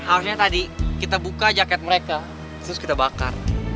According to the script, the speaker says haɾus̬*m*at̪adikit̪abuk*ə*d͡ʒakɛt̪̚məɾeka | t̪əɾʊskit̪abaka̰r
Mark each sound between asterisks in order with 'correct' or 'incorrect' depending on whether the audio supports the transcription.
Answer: incorrect: ɲ, incorrect: a

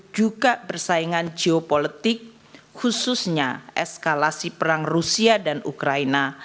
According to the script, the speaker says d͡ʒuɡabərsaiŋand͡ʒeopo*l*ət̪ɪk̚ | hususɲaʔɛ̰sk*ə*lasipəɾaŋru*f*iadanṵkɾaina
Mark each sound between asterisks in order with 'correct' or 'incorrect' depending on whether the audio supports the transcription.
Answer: correct, incorrect: a, incorrect: s

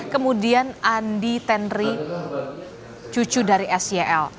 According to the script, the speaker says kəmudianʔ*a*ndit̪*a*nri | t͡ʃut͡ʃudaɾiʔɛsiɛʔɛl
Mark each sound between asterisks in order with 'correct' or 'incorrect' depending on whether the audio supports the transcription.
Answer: correct, incorrect: ɛ

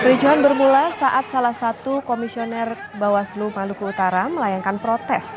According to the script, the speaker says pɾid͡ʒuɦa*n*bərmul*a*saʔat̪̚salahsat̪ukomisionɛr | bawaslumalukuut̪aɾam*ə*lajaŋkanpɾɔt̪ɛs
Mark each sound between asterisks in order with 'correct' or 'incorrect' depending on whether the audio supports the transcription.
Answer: correct, correct, correct

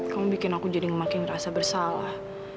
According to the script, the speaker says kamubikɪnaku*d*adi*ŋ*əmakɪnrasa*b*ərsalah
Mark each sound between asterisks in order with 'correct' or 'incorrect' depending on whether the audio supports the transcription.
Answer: incorrect: d͡ʒ, correct, correct

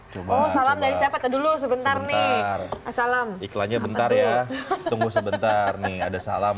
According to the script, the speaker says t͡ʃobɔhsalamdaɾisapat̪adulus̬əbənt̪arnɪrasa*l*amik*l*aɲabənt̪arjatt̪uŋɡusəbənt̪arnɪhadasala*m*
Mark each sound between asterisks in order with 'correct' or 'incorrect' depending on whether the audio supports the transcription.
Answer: correct, correct, correct

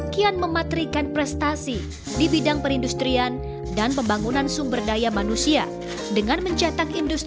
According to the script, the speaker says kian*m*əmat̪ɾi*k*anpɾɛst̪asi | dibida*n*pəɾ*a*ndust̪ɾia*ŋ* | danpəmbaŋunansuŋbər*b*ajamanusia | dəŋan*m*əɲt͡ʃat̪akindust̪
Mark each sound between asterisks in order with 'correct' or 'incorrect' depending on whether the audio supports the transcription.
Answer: correct, correct, incorrect: ŋ, incorrect: i, incorrect: n, incorrect: d, correct

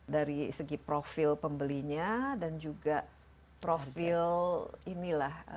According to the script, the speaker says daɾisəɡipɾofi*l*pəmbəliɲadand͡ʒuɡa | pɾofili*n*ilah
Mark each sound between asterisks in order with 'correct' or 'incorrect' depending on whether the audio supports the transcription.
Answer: correct, correct

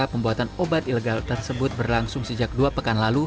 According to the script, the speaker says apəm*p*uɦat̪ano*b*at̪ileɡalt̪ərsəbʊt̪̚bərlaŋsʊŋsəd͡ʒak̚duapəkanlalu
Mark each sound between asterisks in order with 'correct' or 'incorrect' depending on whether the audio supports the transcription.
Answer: incorrect: b, correct

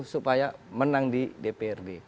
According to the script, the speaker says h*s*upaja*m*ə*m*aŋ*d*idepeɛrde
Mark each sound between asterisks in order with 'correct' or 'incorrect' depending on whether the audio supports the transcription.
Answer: correct, correct, incorrect: n, correct

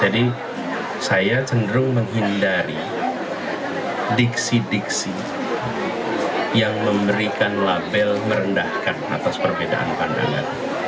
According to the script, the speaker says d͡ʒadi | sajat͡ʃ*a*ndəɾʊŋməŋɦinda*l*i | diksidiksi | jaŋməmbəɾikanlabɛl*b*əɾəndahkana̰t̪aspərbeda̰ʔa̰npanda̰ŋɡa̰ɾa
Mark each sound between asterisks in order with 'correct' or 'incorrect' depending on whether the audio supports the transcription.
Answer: incorrect: ə, incorrect: ɾ, incorrect: m

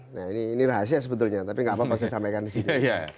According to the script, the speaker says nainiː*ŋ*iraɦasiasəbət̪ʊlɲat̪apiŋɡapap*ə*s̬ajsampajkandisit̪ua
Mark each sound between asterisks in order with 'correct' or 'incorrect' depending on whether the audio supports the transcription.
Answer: incorrect: n, incorrect: a

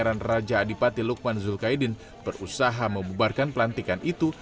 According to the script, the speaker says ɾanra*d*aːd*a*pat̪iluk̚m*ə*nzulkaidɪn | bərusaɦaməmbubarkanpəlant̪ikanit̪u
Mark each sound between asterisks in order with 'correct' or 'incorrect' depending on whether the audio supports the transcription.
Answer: incorrect: d͡ʒ, incorrect: i, incorrect: a

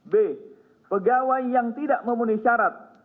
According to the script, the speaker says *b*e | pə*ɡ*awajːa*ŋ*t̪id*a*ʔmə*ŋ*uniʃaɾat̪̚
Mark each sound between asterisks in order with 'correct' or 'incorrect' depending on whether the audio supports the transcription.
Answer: correct, correct, correct, correct, incorrect: m

